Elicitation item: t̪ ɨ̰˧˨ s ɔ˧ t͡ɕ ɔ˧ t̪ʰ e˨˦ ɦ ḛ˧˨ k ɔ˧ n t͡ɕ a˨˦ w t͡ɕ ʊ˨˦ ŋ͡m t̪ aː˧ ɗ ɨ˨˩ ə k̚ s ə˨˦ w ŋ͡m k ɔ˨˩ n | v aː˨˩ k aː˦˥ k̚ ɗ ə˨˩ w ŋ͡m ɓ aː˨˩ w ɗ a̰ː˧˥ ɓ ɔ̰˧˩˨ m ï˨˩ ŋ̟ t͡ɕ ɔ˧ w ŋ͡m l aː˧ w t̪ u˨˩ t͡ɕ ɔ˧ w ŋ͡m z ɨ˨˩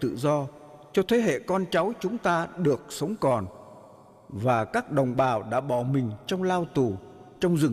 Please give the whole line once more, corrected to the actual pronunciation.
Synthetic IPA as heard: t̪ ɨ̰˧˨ z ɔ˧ t͡ɕ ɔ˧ t̪ʰ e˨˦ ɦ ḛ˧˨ k ɔ˧ n t͡ɕ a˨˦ w t͡ɕ ʊ˨˦ ŋ͡m t̪ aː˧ ɗ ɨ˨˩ ə k̚ s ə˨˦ w ŋ͡m k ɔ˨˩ n | v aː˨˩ k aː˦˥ k̚ ɗ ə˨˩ w ŋ͡m ɓ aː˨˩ w ɗ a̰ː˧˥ ɓ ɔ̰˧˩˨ m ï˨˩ ŋ̟ t͡ɕ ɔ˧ w ŋ͡m l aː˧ w t̪ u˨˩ t͡ɕ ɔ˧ w ŋ͡m z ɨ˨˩